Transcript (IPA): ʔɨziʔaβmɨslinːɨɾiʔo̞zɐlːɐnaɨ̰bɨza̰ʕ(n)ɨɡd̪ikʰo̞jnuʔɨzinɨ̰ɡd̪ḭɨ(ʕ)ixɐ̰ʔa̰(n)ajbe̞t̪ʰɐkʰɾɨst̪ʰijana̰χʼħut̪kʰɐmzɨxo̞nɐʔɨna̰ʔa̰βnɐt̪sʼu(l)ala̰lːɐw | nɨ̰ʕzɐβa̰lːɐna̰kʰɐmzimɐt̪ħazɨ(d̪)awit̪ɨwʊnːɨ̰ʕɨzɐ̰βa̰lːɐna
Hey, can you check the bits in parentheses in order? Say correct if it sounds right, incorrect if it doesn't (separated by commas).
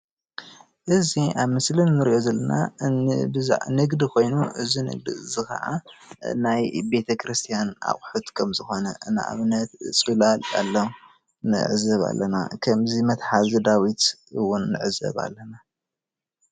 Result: correct, incorrect, correct, correct, correct